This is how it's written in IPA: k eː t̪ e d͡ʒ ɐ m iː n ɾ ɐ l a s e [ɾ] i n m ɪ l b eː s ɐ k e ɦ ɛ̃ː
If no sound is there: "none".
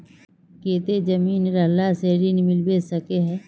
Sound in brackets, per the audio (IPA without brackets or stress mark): ɾ